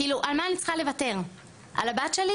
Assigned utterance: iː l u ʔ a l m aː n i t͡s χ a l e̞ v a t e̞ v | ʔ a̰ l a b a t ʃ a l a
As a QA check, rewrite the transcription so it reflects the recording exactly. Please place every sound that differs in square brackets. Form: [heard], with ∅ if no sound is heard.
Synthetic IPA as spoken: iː l u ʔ a l m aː n i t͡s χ a l e̞ v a t e̞ [ʁ] | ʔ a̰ l a b a t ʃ [e] l [i]